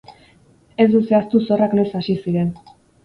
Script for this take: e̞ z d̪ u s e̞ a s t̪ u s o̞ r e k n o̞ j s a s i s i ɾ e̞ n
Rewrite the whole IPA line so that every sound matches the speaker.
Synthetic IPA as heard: e̞ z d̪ u s e̞ a s t̪ u s o̞ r a k n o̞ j s a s i s i ɾ e̞ n